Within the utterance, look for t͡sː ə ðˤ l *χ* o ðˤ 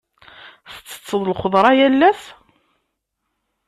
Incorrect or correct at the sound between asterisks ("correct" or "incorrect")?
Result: correct